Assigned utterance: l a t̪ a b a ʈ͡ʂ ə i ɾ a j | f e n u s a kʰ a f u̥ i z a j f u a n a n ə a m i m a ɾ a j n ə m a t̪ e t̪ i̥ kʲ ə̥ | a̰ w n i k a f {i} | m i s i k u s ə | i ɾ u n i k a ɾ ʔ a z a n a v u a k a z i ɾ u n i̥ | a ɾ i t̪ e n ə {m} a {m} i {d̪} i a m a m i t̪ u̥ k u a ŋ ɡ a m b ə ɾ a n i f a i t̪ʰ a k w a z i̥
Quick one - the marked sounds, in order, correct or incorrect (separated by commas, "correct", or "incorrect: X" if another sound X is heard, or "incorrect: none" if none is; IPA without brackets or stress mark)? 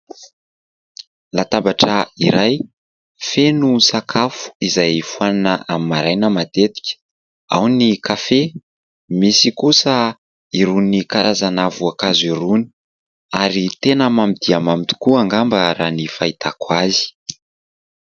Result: incorrect: e, correct, correct, correct